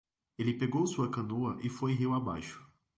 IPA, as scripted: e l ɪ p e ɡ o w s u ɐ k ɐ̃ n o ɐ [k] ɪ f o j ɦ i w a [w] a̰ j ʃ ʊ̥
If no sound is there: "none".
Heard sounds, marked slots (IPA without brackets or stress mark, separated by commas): ʔ, b